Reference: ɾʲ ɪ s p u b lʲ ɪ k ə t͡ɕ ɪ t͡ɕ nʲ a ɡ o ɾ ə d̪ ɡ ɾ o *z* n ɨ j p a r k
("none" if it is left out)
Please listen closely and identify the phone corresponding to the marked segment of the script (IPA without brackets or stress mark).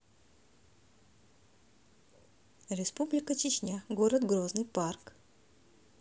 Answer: z